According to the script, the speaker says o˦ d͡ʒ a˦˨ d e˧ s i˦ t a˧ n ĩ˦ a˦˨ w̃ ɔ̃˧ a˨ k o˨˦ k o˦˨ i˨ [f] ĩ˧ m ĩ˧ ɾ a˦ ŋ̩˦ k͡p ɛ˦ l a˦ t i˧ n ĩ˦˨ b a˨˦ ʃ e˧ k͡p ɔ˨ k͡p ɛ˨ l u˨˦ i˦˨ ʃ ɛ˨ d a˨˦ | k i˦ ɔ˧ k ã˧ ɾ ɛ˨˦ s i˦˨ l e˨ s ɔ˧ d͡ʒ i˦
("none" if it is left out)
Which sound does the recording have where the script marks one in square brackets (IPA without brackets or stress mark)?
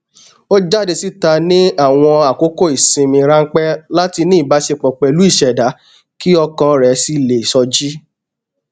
s